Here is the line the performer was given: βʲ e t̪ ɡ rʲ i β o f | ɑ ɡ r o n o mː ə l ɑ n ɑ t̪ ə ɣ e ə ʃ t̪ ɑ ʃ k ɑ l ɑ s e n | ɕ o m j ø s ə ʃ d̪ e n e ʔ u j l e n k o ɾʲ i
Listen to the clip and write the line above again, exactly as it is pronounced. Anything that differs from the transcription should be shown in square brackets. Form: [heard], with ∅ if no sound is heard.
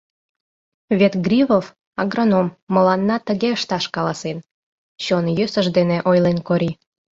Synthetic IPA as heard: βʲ e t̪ ɡ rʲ i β o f | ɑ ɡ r o n o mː ə l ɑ [nː] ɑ t̪ ə ɣ e ə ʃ t̪ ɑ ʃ k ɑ l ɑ s e n | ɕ o [n] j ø s ə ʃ d̪ e n e ʔ [o] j l e n k o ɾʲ i

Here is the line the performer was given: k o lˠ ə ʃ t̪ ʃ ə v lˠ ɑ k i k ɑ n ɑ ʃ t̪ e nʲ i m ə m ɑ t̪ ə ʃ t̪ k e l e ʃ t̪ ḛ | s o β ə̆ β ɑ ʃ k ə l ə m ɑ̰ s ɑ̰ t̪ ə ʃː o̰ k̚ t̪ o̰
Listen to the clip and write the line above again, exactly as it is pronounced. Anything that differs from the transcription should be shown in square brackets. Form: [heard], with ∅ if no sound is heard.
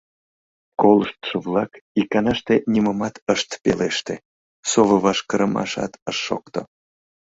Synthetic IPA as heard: k o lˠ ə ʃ t̪ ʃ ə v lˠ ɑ k i k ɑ n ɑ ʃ t̪ e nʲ i m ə m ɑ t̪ ə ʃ t̪ [p] e l e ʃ t̪ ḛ | s o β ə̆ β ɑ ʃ k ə [ɾ] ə m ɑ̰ [ʃ] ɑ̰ t̪ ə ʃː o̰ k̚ t̪ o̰

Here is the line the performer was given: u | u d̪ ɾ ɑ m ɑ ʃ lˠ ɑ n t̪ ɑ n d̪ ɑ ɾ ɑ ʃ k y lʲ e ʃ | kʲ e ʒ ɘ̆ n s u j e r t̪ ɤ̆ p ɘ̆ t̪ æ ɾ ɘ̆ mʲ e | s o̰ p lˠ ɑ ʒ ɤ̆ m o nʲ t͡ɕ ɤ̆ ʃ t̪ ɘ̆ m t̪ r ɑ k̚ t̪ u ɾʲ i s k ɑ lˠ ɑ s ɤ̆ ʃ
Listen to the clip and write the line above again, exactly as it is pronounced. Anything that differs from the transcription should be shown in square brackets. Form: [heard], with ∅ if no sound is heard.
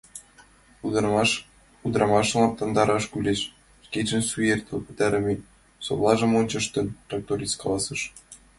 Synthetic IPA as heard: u | u d̪ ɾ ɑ m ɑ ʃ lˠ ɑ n t̪ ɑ n d̪ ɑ ɾ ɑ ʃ k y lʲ e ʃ | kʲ e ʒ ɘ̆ n s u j e r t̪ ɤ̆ p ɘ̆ t̪ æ ɾ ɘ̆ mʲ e | s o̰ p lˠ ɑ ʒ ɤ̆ m o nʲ t͡ɕ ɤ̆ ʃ t̪ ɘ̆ [n] t̪ r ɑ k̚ t̪ [o] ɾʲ i s k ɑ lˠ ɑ s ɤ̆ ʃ

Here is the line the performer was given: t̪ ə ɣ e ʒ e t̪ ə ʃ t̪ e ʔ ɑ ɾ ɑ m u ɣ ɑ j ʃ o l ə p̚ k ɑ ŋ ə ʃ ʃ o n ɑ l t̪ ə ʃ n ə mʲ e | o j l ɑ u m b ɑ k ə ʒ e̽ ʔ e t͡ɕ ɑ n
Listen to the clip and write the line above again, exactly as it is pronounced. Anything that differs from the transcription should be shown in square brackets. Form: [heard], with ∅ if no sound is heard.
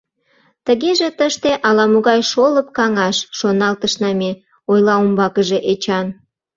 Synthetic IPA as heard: t̪ ə ɣ e ʒ e t̪ ə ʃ t̪ e ʔ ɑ [l] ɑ m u ɣ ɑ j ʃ o l ə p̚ k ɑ ŋ [ɑ] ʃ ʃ o n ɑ l t̪ ə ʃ n [ɑ] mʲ e | o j l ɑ u m b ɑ k ə ʒ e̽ ʔ e t͡ɕ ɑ n

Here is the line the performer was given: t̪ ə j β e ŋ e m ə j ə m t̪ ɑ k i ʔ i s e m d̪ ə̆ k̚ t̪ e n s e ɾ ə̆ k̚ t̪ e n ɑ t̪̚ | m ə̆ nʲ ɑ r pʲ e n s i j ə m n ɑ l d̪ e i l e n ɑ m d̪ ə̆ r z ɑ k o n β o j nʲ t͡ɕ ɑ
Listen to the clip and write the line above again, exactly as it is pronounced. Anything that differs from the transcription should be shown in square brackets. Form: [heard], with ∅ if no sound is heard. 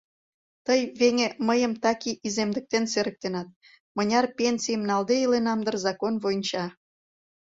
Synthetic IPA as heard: t̪ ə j β e ŋ e m ə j ə m t̪ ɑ k i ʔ i [z] e m d̪ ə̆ k̚ t̪ e n s e ɾ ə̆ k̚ t̪ e n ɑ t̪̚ | m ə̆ nʲ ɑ r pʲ e n s i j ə m n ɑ l d̪ e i l e n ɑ m d̪ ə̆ r z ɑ k o n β o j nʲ t͡ɕ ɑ

